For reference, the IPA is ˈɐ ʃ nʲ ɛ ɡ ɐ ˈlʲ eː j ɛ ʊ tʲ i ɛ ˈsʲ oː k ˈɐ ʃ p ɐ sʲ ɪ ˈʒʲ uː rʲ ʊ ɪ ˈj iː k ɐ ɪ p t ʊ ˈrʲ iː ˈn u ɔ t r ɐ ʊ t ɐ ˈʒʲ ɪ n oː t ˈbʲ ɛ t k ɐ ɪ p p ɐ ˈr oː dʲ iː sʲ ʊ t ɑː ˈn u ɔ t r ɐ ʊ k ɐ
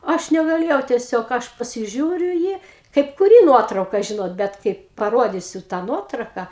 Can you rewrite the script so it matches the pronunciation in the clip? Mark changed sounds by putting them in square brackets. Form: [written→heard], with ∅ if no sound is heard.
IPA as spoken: ˈɐ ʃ nʲ ɛ ɡ ɐ ˈlʲ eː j ɛ ʊ tʲ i ɛ ˈsʲ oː k ˈɐ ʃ p ɐ sʲ ɪ ˈʒʲ uː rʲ ʊ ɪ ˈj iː k ɐ ɪ p [t→k] ʊ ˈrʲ iː ˈn u ɔ t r ɐ ʊ [t→k] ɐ ˈʒʲ ɪ n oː t ˈbʲ ɛ t k ɐ ɪ p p ɐ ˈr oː dʲ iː sʲ ʊ t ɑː ˈn u ɔ t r ɐ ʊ k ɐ